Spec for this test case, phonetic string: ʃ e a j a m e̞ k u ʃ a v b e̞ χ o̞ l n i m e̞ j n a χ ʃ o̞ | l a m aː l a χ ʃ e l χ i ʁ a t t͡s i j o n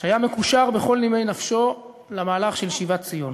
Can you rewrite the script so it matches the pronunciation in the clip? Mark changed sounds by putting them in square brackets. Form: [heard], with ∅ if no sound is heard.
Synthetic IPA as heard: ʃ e a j a m e̞ k u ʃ a [ʁ] b e̞ χ o̞ l n i m e̞ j n a [f] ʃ o̞ | l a m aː l a χ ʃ e l [ʃ] i [v] a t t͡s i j o n